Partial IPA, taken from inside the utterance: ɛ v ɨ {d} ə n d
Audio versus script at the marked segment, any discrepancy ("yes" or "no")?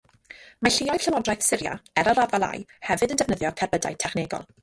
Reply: no